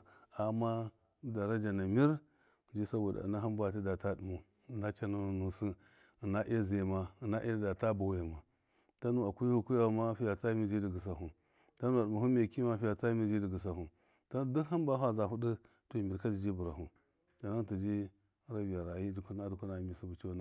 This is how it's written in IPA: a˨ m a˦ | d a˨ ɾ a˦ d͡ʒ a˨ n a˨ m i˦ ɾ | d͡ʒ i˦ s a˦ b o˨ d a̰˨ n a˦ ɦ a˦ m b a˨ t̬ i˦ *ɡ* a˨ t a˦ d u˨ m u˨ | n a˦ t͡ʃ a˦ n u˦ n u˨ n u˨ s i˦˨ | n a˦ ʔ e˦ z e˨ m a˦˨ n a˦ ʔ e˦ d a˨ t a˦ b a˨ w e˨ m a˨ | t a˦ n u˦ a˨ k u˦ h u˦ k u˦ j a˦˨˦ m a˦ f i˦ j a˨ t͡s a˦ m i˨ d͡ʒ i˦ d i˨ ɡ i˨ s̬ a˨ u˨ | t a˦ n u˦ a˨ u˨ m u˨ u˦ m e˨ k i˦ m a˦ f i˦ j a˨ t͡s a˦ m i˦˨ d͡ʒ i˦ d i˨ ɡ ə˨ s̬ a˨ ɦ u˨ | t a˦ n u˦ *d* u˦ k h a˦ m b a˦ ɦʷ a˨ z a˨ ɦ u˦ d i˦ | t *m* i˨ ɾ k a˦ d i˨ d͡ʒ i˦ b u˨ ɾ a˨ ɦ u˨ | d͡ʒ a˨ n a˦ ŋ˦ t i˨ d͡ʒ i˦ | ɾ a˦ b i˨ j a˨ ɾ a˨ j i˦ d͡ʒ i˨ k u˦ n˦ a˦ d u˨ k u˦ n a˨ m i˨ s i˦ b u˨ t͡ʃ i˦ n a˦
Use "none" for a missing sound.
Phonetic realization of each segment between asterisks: d, d, m

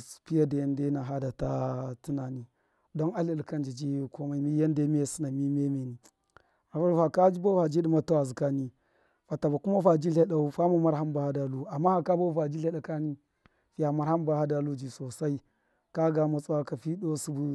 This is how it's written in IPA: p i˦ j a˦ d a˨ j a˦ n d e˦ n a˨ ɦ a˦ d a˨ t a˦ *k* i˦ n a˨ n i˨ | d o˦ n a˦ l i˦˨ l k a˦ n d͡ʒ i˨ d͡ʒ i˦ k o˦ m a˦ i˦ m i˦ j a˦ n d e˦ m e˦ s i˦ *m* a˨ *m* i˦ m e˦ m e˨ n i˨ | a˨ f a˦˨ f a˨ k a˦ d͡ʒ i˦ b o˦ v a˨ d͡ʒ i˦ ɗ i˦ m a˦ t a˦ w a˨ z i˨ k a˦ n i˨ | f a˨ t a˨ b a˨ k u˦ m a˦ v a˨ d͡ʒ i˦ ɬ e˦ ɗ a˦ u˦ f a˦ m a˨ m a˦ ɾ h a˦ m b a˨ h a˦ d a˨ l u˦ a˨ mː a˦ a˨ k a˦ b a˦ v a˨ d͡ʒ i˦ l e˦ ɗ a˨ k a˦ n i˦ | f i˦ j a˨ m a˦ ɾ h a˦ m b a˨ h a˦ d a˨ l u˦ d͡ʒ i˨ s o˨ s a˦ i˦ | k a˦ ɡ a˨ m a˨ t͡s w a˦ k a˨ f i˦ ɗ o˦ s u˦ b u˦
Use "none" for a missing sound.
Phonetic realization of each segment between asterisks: t, n, m

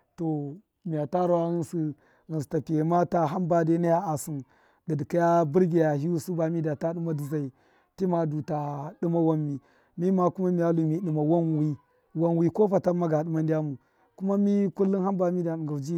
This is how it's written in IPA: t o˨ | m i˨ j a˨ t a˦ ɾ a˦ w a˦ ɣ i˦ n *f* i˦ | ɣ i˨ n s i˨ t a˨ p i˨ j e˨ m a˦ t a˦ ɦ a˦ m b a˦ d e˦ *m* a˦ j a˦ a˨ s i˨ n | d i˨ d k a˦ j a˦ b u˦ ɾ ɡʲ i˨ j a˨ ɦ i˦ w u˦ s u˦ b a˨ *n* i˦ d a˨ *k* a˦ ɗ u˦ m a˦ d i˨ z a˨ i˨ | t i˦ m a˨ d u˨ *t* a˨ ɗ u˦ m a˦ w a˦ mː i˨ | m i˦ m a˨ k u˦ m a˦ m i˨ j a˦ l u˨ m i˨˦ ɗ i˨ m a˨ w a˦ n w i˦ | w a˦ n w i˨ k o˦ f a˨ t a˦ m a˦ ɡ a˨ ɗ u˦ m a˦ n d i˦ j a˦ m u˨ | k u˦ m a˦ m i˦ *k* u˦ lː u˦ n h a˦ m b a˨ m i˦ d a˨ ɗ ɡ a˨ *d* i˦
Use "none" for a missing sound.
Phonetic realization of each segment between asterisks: s, n, m, t, t, k, d͡ʒ

